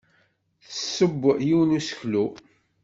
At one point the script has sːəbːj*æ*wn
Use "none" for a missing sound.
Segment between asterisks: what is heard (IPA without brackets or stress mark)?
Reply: i